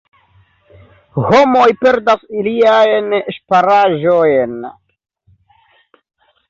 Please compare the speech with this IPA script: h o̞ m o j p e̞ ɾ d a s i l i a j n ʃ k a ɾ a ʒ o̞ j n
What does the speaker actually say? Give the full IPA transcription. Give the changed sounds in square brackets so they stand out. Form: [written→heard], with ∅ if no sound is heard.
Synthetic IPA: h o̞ m o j p e̞ ɾ d a s i l i a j n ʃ [k→p] a ɾ a ʒ o̞ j n